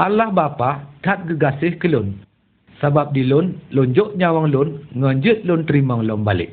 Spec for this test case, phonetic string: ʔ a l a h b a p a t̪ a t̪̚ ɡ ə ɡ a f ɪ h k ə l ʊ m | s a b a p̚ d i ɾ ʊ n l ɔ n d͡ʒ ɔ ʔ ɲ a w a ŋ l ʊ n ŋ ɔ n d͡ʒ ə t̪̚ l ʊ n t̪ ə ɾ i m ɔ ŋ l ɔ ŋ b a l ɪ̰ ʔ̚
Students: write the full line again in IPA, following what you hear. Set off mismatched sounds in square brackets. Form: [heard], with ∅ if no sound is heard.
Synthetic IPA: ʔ a l a h b a p a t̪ a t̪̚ ɡ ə ɡ a [s] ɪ h k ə l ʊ [n] | s a b a p̚ d i [l] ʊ n l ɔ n d͡ʒ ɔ ʔ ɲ a w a ŋ l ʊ n ŋ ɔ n d͡ʒ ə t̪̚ l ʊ n t̪ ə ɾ i m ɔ ŋ l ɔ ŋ b a l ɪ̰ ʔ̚